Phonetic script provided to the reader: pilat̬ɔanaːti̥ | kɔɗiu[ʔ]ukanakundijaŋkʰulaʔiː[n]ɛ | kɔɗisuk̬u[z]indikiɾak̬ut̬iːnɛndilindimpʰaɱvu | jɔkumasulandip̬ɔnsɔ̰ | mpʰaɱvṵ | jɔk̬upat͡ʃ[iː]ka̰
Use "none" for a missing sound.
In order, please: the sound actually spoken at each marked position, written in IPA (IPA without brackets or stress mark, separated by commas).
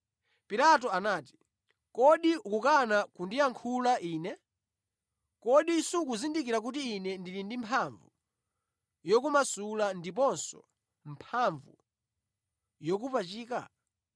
k, n, z, iː